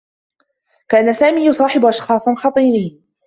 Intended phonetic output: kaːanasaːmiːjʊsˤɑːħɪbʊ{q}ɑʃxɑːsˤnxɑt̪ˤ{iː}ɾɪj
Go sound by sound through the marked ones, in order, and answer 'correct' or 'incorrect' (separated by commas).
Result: incorrect, correct